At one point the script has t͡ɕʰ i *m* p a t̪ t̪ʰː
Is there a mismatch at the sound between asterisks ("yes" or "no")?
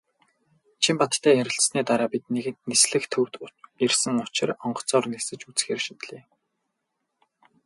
no